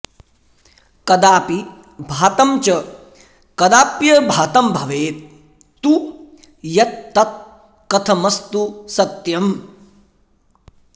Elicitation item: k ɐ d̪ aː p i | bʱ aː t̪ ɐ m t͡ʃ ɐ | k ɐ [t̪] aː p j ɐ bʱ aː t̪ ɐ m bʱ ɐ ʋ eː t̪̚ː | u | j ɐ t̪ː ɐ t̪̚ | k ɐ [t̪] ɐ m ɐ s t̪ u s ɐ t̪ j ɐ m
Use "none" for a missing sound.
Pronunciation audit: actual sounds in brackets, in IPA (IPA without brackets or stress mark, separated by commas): d̪, t̪ʰ